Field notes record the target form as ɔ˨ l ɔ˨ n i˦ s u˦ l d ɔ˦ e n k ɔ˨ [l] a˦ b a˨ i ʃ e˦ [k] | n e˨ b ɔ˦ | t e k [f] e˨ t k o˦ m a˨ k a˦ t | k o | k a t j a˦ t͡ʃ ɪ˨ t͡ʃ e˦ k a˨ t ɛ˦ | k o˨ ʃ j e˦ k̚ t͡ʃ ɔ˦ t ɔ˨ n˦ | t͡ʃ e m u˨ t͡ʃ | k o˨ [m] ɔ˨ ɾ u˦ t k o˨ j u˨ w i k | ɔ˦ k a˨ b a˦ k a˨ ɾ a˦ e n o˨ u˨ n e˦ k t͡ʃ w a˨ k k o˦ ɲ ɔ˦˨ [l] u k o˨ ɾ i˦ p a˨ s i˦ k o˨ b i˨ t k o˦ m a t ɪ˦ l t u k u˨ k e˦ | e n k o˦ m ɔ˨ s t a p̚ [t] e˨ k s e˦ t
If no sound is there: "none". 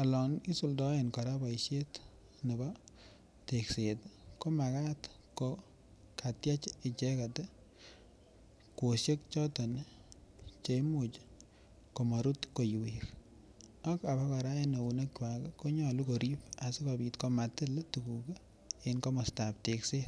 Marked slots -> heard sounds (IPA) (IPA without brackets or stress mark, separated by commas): ɾ, t, s, m, l, t